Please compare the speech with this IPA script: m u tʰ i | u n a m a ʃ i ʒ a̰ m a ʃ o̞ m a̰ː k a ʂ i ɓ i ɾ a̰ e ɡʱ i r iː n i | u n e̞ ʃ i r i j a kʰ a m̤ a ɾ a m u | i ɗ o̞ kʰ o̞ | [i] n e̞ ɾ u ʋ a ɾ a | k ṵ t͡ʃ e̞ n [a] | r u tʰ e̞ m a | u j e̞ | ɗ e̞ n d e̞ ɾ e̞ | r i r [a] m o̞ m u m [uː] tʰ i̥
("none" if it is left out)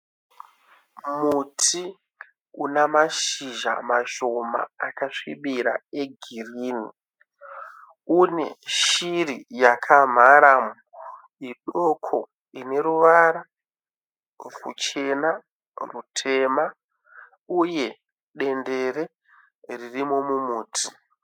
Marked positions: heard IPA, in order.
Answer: i, a, i, uː

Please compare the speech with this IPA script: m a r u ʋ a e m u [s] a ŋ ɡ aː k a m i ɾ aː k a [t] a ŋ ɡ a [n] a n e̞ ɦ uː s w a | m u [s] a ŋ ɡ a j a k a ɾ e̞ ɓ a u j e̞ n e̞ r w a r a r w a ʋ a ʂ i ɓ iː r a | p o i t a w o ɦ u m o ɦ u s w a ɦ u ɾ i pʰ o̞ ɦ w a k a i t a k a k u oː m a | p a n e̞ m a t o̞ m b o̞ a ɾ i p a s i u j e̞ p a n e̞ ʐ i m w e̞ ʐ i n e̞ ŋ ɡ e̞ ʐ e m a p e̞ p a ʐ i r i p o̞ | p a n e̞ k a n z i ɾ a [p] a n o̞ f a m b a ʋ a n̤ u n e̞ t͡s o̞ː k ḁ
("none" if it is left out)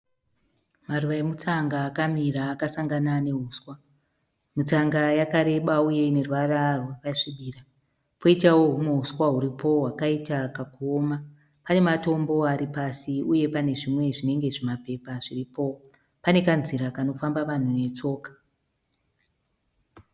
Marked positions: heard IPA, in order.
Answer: t͡s, s, n, t͡s, k

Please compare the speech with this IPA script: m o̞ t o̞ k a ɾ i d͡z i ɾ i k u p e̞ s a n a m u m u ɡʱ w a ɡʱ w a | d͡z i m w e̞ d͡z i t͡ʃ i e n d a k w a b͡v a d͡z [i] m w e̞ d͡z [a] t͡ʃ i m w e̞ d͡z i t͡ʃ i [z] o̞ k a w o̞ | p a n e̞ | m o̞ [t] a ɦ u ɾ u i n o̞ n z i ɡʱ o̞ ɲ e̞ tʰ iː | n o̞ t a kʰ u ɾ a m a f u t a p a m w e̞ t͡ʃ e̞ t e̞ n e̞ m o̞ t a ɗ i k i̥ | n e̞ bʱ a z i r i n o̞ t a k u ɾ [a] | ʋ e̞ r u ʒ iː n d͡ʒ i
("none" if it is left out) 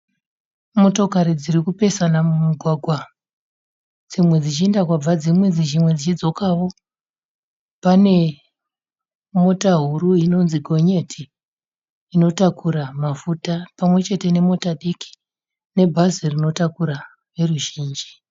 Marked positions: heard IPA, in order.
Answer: i, i, d͡z, t, a

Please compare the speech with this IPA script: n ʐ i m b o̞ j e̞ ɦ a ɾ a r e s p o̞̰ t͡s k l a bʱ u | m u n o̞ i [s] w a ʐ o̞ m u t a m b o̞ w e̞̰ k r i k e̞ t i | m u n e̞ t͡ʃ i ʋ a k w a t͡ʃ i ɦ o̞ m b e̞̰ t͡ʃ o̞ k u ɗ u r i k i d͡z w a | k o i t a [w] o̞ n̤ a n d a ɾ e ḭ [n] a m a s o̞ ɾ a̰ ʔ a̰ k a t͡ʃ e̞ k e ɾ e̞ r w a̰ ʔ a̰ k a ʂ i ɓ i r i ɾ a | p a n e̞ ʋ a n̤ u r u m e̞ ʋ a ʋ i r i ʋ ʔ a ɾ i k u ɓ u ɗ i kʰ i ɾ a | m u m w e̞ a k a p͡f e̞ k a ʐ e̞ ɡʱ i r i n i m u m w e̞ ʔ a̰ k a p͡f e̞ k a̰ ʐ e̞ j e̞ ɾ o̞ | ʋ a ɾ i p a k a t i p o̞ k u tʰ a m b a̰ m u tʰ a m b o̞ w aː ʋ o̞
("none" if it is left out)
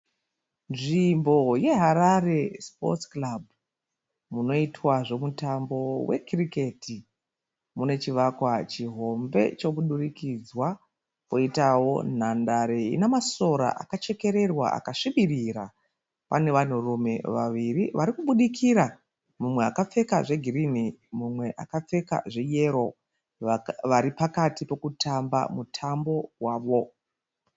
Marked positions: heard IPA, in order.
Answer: t, w, n

